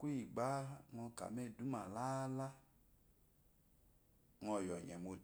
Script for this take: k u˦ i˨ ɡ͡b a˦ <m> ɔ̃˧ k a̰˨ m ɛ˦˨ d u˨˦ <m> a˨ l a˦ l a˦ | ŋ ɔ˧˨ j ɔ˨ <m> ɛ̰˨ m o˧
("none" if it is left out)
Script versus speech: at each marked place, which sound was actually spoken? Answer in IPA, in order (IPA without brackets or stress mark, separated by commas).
ŋ, m, ɲ